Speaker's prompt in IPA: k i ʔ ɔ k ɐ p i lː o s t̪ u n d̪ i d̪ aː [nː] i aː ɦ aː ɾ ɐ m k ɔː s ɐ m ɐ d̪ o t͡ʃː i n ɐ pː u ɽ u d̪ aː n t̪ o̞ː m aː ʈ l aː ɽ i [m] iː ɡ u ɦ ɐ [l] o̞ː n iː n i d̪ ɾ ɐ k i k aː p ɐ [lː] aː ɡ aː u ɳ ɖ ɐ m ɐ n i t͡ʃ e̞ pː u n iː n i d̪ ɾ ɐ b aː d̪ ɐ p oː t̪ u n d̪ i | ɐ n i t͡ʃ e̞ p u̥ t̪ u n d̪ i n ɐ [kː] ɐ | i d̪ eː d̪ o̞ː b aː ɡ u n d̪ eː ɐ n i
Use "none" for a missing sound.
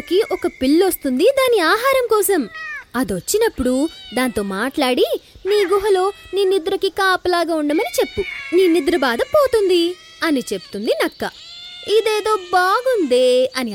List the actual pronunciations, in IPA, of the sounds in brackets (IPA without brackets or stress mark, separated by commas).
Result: n, n, l, l, kː